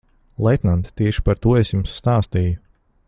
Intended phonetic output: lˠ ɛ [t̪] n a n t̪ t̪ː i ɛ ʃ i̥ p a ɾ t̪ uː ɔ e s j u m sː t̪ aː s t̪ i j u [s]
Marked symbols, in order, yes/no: yes, no

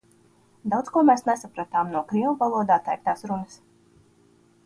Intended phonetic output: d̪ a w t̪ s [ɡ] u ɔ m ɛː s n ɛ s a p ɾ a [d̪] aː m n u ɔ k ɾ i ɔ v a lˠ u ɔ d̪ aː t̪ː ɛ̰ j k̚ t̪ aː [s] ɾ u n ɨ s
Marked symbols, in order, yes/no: no, no, yes

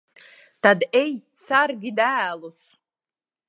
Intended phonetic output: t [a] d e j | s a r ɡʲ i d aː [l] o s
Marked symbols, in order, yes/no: yes, yes

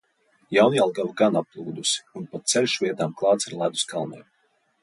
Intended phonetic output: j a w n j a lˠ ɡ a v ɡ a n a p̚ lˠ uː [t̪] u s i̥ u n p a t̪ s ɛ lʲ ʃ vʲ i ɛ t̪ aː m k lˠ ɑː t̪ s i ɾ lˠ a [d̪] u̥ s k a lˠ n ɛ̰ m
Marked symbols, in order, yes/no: no, yes

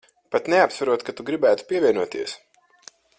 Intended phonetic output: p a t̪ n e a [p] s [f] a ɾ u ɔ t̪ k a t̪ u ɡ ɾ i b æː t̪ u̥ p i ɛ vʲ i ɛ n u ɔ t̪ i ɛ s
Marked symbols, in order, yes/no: yes, no

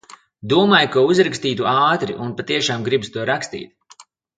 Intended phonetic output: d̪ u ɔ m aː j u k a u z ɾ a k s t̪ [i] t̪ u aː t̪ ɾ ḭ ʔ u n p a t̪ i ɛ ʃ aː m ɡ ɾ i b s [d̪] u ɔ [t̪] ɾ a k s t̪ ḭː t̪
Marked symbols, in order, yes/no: no, no, no

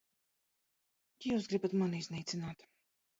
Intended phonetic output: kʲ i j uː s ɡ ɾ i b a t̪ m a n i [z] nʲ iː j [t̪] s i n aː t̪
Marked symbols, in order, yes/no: yes, yes

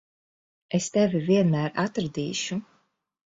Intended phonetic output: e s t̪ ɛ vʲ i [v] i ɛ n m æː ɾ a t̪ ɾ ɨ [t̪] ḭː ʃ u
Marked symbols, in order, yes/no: yes, no

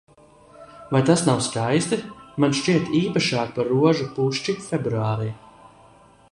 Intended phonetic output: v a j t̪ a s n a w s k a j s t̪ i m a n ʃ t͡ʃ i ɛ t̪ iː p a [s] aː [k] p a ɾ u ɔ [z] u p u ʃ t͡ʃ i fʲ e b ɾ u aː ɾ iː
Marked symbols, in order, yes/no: no, yes, no

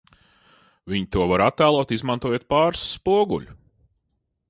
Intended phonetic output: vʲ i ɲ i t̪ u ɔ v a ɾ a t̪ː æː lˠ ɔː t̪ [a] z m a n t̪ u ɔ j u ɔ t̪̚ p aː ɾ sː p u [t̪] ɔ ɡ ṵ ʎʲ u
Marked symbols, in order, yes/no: no, no

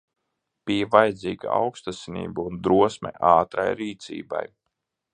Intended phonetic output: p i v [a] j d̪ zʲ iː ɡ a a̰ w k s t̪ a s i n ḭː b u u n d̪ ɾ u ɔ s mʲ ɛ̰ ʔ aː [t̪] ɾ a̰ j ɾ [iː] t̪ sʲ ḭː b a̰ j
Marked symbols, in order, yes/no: yes, yes, yes

